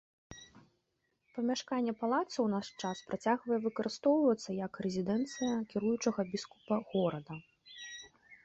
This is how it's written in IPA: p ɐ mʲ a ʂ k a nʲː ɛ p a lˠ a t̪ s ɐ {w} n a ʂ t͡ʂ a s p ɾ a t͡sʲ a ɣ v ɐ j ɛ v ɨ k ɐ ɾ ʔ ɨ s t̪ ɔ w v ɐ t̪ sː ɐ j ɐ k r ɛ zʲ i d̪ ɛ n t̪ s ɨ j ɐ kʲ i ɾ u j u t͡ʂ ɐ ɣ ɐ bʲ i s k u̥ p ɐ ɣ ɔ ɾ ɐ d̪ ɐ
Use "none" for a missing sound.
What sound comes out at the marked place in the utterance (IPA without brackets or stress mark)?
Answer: w